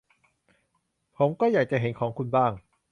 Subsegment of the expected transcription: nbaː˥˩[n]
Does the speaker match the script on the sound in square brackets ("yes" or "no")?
no